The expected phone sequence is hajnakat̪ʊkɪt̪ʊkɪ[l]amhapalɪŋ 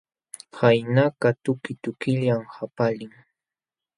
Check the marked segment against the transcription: incorrect: ʎ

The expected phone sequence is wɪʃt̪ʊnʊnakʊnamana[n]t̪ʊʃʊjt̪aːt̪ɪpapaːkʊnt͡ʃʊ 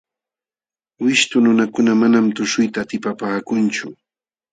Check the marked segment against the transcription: incorrect: m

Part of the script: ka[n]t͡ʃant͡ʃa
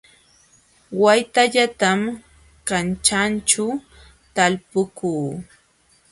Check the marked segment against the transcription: correct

